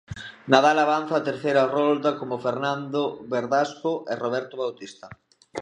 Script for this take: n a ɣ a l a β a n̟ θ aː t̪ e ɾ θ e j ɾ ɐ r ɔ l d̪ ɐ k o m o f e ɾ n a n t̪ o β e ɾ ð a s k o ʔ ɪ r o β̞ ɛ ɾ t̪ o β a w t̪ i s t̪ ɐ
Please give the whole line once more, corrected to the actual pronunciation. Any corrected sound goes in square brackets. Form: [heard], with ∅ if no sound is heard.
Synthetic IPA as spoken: n a [ð] a l a β a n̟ θ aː t̪ e ɾ θ e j ɾ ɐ r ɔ l d̪ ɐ k o m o f e ɾ n a n [d̪] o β e ɾ ð a s k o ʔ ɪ r o β̞ ɛ ɾ t̪ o β a w t̪ i s t̪ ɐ